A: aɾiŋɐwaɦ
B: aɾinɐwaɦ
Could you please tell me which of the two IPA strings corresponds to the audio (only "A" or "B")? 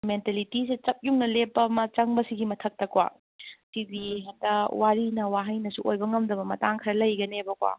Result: B